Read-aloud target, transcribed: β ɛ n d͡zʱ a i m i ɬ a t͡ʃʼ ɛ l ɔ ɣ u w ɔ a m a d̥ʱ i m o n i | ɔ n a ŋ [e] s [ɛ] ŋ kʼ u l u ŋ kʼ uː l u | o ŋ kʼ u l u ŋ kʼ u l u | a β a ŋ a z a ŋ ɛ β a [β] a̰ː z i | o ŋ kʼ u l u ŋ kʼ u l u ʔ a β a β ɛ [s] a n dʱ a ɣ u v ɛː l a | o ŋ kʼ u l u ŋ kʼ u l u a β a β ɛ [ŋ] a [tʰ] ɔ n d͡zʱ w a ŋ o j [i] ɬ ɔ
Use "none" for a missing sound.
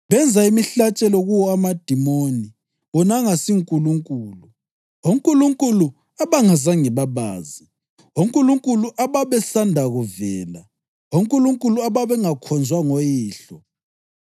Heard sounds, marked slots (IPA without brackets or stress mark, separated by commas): a, i, β, s, ŋ, kʰ, iː